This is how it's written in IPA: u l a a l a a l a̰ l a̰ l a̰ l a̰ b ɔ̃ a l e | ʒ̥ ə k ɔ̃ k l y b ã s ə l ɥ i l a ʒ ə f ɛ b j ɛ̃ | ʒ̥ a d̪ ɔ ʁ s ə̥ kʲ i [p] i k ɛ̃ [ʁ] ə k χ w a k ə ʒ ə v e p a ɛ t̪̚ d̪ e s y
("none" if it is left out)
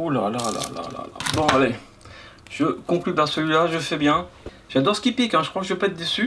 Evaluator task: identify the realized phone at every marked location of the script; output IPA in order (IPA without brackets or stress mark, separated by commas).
p, ʒ